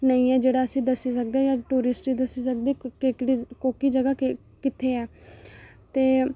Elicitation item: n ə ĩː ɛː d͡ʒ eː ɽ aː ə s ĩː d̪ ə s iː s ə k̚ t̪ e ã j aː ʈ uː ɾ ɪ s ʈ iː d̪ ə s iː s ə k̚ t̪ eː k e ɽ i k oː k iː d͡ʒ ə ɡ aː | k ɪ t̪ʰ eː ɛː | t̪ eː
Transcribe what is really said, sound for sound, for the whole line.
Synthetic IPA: n ə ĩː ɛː d͡ʒ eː ɽ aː ə s ĩː d̪ ə s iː s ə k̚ d̪ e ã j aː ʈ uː ɾ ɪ s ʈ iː d̪ ə s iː s ə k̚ d̪ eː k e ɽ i k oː k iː d͡ʒ ə ɡ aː | k ɪ t̪ʰ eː ɛː | t̪ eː